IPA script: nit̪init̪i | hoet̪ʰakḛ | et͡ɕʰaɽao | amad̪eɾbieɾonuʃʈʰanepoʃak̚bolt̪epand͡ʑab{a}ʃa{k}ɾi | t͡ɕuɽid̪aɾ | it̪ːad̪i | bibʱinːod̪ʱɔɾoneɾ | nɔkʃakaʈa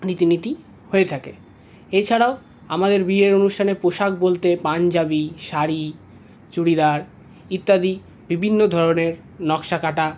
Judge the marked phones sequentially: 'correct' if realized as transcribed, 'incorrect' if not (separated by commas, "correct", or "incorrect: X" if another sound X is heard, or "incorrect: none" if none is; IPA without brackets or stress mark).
incorrect: i, incorrect: none